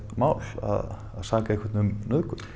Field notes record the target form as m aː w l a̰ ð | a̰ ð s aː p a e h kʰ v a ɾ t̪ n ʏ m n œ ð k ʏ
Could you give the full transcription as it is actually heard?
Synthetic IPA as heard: m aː w l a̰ ð | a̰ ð s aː k a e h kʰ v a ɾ t̪ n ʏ m n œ ð k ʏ

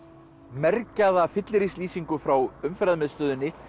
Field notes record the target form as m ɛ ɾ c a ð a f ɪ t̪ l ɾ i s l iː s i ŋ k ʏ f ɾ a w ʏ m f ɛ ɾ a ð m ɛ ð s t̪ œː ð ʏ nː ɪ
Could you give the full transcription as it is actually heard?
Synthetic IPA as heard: m ɛ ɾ c a ð a f ɪ t̪ l ɾ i s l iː s i ŋ k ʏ f ɾ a w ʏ m f ɛ ɾ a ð m ɛ ð s t̪ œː ð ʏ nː ɪ

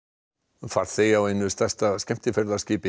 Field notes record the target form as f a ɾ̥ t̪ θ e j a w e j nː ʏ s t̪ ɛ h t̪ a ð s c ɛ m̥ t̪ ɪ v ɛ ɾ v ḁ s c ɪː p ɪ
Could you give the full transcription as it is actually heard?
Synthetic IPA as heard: f a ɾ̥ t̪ θ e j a w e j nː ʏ s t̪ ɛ s t̪ a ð s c ɛ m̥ t̪ ɪ f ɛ ɾ ð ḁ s c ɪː p ɪ

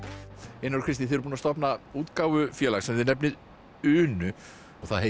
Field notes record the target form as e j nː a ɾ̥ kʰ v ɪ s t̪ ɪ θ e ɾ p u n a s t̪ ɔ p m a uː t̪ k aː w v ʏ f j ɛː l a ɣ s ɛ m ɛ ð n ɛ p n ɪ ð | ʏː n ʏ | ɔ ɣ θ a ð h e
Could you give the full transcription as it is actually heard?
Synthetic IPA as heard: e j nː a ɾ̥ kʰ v ɪ s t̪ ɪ θ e ɾ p u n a s t̪ ɔ p n a uː t̪ k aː w v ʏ f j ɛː l a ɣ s ɛ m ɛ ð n ɛ p n ɪ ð | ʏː n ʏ | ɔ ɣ θ a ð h e

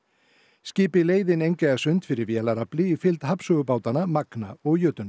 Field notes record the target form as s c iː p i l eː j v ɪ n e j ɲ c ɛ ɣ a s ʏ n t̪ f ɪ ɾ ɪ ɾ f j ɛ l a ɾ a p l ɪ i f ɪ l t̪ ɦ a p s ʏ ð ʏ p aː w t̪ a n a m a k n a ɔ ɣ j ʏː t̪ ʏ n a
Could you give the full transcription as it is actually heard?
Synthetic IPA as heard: s c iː p ɪ l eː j ð ɪ n e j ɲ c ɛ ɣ a s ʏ n t̪ f ɪ ɾ ɪ ɾ v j ɛ l a ɾ a p l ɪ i f ɪ l t̪ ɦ a p s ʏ ɣ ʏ p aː w t̪ a n a m a k n a ɔ ɣ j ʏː t̪ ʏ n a

